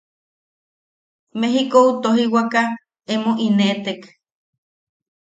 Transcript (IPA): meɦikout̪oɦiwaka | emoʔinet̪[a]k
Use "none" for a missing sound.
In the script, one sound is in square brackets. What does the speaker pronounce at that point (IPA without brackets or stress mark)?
e